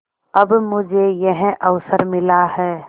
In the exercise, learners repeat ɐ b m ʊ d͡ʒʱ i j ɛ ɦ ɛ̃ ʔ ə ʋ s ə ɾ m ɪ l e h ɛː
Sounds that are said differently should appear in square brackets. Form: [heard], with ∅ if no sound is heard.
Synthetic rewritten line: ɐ b m ʊ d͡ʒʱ [e] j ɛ ɦ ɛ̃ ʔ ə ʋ s ə ɾ m ɪ l [a] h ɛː

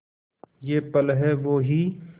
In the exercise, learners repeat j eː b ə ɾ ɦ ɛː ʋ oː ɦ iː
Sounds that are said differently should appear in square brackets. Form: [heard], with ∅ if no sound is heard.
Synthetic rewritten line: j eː [p] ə [l] ɦ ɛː ʋ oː ɦ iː

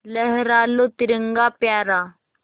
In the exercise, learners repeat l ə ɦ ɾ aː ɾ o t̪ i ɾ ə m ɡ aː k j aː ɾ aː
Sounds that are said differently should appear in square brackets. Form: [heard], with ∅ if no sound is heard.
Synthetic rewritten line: l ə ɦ ɾ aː [l] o t̪ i ɾ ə [ŋ] ɡ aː [p] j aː ɾ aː

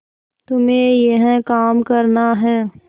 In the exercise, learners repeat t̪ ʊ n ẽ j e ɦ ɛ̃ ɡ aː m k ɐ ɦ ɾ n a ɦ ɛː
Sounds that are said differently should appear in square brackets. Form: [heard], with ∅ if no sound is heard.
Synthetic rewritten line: t̪ ʊ [m] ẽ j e ɦ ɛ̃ [k] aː m k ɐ [∅] ɾ n a ɦ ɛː

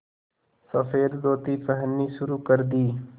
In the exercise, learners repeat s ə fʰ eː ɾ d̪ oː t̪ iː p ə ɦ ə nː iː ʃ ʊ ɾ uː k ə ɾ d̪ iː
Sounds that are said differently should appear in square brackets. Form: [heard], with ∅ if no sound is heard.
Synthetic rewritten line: s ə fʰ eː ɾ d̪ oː t̪ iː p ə ɦ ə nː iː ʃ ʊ ɾ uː k ə ɾ d̪ iː

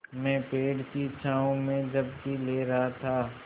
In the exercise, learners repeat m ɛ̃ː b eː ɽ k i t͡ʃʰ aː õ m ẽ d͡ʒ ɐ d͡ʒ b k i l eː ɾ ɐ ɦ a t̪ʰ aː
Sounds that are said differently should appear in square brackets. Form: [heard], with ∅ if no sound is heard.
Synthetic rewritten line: m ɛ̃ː [p] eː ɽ k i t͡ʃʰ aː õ m ẽ d͡ʒ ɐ [∅] b k i l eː ɾ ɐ ɦ a t̪ʰ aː

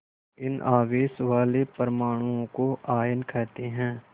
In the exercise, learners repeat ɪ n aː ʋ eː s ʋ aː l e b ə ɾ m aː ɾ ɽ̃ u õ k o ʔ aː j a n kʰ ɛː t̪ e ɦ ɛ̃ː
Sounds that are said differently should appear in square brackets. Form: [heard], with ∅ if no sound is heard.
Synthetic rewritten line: ɪ n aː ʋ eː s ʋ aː l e [p] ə ɾ m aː [∅] ɽ̃ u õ k o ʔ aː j [ə] n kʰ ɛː t̪ e ɦ ɛ̃ː

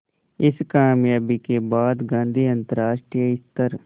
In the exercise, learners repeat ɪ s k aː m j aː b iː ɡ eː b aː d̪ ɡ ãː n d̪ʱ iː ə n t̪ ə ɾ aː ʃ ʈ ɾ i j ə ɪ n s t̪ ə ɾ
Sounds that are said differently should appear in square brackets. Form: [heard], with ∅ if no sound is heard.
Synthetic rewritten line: ɪ s k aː m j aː b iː [k] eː b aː d̪ ɡ ãː n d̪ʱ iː ə n t̪ ə ɾ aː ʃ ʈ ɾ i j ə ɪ [∅] s t̪ ə ɾ

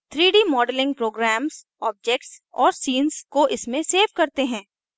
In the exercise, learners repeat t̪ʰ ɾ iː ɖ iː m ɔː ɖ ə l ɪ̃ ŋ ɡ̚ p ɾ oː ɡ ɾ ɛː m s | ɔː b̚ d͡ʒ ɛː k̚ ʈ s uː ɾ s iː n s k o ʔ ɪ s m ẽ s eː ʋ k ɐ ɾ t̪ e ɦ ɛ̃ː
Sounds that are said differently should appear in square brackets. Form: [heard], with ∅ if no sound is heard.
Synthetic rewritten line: t̪ʰ ɾ iː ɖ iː m ɔː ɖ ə l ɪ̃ ŋ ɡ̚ p ɾ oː ɡ ɾ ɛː m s | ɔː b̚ d͡ʒ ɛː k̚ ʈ s [ɔː] ɾ s iː n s k o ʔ ɪ s m ẽ s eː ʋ k ɐ ɾ t̪ e ɦ ɛ̃ː

